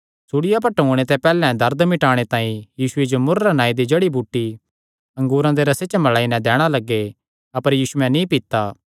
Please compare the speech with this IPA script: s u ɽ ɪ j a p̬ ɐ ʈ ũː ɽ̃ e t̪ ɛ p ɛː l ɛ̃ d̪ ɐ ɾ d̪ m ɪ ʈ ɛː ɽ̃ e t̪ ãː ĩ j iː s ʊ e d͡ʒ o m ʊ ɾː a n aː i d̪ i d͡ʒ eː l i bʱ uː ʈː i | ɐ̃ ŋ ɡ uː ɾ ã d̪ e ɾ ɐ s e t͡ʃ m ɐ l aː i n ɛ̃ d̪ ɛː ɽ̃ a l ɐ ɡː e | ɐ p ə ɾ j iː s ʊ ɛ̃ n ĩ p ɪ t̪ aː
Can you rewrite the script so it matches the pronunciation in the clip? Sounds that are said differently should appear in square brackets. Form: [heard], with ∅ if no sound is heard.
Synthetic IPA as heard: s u ɽ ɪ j a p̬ ɐ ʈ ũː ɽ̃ e t̪ ɛ p ɛː l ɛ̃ d̪ ɐ ɾ d̪ m ɪ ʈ [aː] ɽ̃ e t̪ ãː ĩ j iː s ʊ e d͡ʒ o m ʊ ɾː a n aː i d̪ i d͡ʒ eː [ɽ] i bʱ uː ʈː i | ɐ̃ ŋ ɡ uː ɾ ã d̪ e ɾ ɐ s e t͡ʃ m ɐ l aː i n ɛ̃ d̪ ɛː ɽ̃ a l ɐ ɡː e | ɐ p ə ɾ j iː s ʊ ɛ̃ n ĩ p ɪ t̪ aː

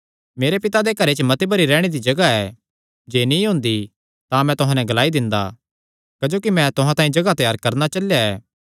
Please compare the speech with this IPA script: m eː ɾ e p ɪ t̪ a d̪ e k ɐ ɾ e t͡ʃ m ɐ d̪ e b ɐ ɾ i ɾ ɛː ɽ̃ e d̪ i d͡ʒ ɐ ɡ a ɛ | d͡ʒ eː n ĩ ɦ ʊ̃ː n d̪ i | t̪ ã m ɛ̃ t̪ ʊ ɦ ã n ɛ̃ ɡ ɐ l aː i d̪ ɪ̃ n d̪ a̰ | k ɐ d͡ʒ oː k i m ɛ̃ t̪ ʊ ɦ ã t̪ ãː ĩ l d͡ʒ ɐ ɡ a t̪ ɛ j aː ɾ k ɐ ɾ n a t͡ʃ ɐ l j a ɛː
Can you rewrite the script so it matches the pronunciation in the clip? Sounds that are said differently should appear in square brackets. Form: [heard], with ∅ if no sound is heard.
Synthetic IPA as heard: m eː ɾ e p ɪ t̪ a d̪ e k ɐ ɾ e t͡ʃ m ɐ [t̪] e b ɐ ɾ i ɾ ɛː ɽ̃ e d̪ i d͡ʒ ɐ ɡ a ɛ | d͡ʒ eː n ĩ ɦ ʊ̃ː n d̪ i | t̪ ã m ɛ̃ t̪ ʊ ɦ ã n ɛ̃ ɡ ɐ l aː i d̪ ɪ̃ n d̪ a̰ | k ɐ d͡ʒ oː k i m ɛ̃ t̪ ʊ ɦ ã t̪ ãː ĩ [∅] d͡ʒ ɐ ɡ a t̪ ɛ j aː ɾ k ɐ ɾ n a t͡ʃ ɐ l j a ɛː

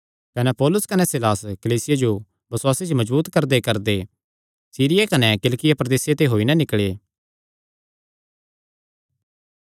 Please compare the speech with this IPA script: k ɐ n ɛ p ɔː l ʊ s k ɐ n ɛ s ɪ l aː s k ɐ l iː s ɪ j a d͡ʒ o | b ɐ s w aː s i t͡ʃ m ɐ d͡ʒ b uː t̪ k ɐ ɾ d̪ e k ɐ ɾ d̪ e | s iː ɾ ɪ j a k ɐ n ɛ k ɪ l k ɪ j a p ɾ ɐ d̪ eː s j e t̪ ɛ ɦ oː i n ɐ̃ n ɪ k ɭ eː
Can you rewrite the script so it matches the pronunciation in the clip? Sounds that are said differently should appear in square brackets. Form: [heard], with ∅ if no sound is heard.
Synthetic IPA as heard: k ɐ n ɛ p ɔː l ʊ s k ɐ n ɛ s ɪ l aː s k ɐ l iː s ɪ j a d͡ʒ o | b ɐ s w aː s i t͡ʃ m ɐ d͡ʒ b uː t̪ k ɐ ɾ d̪ e k ɐ ɾ d̪ e | s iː ɾ ɪ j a k ɐ n ɛ k ɪ l k ɪ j a p ɾ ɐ d̪ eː s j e t̪ [e] ɦ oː i n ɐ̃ n ɪ k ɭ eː

